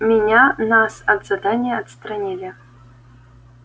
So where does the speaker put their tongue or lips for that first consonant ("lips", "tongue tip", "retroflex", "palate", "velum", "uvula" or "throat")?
lips